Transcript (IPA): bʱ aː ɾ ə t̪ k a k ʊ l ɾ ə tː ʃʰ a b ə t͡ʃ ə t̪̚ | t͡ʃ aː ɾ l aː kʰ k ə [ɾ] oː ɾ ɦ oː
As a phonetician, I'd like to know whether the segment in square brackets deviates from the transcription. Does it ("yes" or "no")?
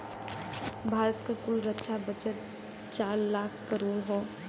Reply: no